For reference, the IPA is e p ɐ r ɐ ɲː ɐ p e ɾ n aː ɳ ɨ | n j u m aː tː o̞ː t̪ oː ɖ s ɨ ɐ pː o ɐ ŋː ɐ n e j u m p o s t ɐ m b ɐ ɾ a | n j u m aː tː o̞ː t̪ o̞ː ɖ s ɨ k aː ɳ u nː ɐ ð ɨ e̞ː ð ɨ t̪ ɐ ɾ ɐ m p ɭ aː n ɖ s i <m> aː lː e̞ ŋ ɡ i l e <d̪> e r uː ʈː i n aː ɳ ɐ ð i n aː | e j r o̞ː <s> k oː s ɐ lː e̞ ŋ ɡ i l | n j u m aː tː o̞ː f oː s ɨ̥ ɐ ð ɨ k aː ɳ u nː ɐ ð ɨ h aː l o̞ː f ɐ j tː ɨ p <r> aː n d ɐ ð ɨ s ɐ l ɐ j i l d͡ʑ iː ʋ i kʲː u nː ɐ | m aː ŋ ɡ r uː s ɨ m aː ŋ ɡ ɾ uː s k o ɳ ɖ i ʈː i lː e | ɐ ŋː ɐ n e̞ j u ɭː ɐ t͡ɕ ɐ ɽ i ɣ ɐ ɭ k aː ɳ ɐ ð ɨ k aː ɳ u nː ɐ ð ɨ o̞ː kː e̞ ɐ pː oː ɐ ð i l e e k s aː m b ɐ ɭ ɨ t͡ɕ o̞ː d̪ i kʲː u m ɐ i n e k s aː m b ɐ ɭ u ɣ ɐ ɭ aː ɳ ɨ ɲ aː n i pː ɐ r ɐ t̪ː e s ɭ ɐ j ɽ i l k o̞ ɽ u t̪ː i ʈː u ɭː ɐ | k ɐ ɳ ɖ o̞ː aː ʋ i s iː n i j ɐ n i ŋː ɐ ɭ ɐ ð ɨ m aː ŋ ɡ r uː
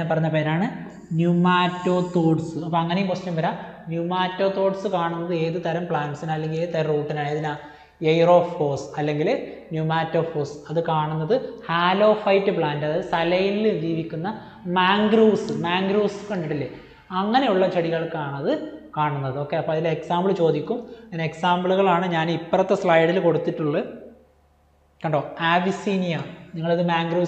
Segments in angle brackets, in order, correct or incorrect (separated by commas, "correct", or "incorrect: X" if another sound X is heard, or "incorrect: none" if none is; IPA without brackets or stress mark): incorrect: n, incorrect: t̪, incorrect: f, incorrect: ɭ